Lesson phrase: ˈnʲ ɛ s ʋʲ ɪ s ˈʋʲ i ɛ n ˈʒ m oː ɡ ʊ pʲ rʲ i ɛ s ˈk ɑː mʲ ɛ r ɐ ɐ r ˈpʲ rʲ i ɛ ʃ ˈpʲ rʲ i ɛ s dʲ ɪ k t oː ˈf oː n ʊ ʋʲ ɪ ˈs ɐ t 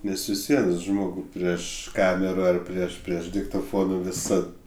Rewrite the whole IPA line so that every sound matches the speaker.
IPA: ˈnʲ ɛ s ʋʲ ɪ s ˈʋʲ i ɛ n ˈʒ m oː ɡ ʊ pʲ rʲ i ɛ ʃ ˈk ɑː mʲ ɛ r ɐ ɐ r ˈpʲ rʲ i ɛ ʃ ˈpʲ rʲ i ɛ ʃ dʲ ɪ k t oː ˈf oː n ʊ ʋʲ ɪ ˈs ɐ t